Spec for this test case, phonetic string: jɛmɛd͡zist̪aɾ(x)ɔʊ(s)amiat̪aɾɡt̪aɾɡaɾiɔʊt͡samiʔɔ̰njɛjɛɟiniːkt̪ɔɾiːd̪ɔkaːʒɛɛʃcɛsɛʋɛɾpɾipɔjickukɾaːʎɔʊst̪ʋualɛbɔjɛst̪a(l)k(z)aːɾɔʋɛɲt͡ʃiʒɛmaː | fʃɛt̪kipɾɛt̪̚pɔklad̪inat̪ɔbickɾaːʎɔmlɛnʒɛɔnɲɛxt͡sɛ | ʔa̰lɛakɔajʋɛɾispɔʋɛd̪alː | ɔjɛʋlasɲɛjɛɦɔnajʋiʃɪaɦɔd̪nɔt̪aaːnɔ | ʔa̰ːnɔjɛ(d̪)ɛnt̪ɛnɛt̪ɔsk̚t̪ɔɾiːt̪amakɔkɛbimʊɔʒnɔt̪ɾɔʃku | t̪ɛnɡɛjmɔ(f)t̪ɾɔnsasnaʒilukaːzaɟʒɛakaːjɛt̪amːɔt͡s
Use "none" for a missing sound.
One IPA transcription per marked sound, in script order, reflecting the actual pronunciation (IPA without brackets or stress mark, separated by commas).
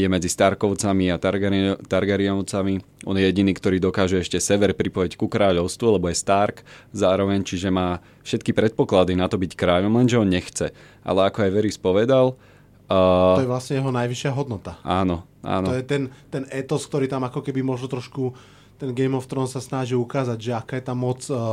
k, t͡s, ɾ, z, t̪, f